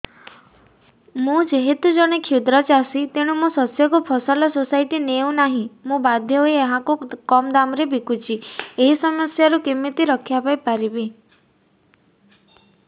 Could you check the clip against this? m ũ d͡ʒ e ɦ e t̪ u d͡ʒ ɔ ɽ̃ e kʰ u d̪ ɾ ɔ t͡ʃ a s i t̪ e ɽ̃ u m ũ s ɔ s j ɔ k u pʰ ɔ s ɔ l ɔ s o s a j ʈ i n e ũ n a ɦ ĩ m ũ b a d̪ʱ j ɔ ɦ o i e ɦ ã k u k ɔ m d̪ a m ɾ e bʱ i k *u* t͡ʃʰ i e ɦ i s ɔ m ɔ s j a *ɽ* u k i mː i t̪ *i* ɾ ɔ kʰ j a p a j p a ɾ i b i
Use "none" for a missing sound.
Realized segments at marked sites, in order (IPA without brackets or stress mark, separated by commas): u, ɾ, i